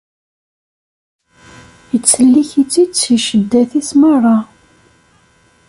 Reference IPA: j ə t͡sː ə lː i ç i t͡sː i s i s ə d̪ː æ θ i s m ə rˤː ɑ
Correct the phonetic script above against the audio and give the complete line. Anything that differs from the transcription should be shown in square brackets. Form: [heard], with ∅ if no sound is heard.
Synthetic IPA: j ə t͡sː ə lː i ç i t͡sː i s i [ʃ] ə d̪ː æ θ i s m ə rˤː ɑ